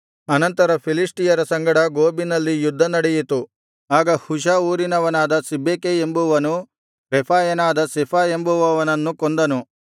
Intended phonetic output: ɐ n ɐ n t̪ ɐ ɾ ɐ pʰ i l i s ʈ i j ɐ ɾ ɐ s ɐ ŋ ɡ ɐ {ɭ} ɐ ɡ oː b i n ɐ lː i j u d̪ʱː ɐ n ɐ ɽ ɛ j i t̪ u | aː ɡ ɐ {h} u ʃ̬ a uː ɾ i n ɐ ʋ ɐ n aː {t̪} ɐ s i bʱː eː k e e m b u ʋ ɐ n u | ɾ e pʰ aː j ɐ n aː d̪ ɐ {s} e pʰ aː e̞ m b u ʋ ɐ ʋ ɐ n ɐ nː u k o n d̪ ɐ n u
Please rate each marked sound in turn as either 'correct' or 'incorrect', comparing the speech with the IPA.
incorrect, correct, incorrect, correct

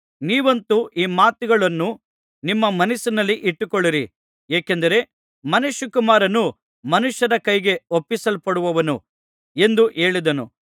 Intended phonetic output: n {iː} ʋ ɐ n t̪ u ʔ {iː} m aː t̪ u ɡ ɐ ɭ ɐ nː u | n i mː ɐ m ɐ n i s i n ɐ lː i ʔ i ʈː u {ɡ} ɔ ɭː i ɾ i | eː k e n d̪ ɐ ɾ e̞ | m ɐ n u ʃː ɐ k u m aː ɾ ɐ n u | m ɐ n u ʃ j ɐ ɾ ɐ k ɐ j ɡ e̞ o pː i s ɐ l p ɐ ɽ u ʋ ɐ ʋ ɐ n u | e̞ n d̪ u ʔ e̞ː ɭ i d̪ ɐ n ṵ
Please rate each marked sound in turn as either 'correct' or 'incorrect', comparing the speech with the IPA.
correct, correct, incorrect

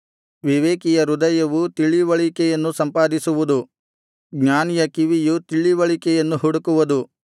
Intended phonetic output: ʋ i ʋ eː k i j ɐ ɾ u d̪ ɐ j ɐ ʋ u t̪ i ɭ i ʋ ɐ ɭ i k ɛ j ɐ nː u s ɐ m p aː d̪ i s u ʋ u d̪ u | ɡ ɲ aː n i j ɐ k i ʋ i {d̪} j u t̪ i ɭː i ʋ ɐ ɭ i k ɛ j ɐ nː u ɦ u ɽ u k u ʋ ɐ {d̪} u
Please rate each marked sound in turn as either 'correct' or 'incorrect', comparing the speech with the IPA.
incorrect, correct

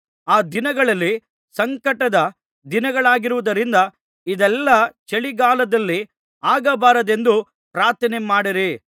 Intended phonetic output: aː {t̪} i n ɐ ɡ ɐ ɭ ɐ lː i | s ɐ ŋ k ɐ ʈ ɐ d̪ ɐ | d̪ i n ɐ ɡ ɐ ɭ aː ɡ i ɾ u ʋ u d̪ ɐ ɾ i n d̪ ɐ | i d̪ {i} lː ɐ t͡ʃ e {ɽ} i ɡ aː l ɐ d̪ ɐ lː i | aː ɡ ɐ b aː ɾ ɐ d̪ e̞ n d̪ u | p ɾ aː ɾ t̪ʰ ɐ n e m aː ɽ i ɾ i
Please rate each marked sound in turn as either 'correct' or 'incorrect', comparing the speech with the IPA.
incorrect, incorrect, incorrect

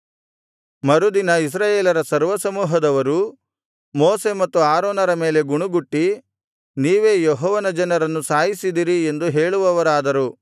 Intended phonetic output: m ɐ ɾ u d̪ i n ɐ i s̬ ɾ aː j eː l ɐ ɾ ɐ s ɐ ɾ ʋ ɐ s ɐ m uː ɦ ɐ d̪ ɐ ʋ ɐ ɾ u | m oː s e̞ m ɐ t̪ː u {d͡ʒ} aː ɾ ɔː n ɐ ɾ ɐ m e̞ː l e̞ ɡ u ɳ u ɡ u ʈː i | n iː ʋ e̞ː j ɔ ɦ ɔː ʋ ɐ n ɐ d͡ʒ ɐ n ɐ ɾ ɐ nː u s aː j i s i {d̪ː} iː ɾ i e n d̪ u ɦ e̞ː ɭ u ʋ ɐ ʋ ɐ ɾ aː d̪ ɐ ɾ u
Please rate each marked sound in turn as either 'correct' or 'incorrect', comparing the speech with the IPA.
incorrect, incorrect

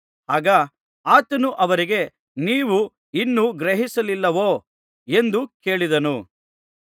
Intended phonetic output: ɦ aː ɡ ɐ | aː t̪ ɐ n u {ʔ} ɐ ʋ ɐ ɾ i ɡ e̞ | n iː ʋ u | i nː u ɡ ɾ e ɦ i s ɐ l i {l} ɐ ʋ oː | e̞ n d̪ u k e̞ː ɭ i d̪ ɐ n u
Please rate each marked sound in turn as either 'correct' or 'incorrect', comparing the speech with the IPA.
correct, incorrect

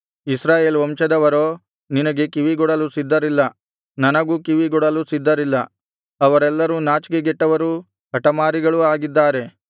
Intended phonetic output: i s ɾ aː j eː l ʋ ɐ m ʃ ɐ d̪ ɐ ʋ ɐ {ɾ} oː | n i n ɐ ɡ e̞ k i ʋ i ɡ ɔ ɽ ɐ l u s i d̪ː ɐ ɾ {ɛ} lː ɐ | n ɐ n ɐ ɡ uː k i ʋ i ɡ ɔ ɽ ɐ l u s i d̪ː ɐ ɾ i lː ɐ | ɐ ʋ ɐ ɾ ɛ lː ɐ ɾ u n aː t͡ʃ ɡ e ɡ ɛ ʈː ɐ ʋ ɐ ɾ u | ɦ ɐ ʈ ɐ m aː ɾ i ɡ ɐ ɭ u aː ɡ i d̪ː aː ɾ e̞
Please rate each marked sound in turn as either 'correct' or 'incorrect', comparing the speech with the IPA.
correct, incorrect

